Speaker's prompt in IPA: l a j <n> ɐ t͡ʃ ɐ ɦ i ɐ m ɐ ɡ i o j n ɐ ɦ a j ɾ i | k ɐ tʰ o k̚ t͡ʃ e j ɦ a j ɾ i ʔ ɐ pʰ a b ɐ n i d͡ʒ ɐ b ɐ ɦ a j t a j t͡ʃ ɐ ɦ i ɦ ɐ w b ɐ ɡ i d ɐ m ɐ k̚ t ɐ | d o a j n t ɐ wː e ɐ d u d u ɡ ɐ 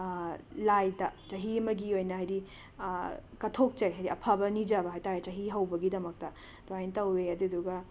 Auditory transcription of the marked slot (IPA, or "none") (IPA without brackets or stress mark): d